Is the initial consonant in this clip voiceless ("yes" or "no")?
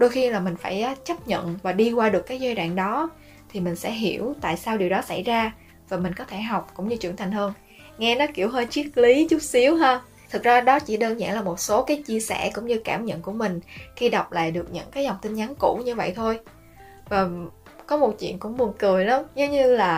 no